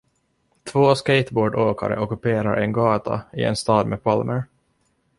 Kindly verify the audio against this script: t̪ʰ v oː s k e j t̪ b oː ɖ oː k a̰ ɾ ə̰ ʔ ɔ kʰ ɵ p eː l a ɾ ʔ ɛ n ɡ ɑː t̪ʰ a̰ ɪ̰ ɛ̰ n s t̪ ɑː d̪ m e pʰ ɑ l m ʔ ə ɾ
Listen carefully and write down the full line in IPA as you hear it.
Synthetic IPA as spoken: t̪ʰ v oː s k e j t̪ b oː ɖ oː k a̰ ɾ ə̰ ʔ ɔ k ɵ p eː ɾ a ɾ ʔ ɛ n ɡ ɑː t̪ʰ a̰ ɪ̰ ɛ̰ n s t̪ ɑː d̪ m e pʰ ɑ l m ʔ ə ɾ